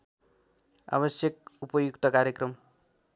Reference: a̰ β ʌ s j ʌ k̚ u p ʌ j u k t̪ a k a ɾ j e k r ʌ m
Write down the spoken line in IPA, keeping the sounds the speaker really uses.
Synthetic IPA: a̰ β ʌ s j ʌ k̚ u p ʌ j u k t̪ ʌ k a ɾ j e k r ʌ m